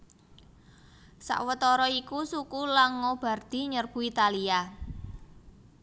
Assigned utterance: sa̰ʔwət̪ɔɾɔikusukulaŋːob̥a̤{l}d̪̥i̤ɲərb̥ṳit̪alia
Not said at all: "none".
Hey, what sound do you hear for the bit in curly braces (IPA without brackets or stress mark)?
r